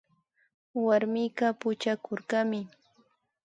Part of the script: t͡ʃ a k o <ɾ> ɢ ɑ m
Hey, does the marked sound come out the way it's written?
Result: yes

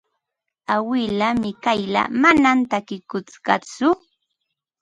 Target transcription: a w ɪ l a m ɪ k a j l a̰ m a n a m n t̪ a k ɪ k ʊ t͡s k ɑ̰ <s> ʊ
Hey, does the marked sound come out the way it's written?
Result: no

